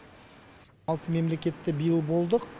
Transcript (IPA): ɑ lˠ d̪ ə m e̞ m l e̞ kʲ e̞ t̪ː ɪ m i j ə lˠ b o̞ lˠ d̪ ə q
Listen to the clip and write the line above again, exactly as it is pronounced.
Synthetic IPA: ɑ lˠ t̪ ə m e̞ m l e̞ kʲ e̞ t̪ː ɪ b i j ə lˠ b o̞ lˠ d̪ ə q